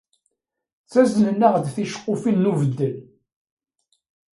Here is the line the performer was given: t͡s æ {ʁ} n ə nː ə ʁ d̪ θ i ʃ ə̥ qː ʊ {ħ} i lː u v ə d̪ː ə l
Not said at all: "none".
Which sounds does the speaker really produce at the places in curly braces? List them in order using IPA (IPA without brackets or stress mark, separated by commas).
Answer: z, f